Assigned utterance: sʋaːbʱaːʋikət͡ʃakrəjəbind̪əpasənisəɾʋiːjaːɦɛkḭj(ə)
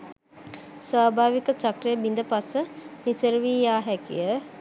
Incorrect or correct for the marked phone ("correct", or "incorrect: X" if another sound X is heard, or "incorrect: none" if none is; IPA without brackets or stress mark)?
correct